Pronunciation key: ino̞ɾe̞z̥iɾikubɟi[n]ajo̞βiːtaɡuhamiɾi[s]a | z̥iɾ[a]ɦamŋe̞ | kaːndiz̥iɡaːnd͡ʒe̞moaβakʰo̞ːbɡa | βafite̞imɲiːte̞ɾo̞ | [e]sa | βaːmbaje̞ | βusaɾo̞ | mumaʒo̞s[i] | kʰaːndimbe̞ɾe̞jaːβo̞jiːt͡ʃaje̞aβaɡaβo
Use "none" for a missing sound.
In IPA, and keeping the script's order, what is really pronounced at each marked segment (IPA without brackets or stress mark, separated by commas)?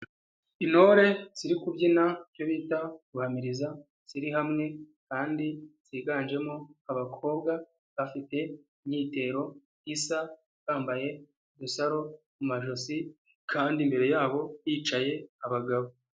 n, z, i, i, i